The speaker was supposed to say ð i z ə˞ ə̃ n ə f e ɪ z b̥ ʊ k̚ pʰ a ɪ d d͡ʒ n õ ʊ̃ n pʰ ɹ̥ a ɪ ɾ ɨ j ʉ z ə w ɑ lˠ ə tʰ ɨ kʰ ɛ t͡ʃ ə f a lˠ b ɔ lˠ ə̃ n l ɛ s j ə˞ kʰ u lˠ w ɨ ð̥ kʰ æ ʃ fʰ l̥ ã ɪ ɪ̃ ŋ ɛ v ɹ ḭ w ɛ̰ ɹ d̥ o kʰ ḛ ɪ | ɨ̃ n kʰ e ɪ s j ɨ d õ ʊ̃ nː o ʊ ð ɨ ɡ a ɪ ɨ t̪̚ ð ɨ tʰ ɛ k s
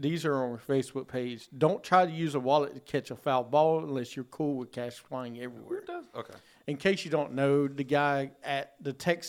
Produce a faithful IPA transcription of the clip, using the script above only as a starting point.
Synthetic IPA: ð i z ə˞ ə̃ n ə f e ɪ s b̥ ʊ k̚ pʰ e ɪ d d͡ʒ d õ ʊ̃ n tʰ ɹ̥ a ɪ ɾ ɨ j ʉ z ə w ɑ lˠ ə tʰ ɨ kʰ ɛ t͡ʃ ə f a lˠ b ɔ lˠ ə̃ n l ɛ s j ə˞ kʰ u lˠ w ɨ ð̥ kʰ æ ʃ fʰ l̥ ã ɪ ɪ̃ ŋ ɛ v ɹ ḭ w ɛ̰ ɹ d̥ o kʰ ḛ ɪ | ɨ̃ n kʰ e ɪ s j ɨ d õ ʊ̃ nː o ʊ ð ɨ ɡ a ɪ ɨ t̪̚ ð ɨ tʰ ɛ k s